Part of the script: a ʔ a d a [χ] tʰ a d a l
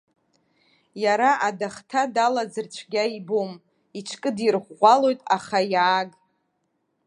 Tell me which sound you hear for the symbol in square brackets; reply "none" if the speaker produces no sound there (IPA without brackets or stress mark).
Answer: χ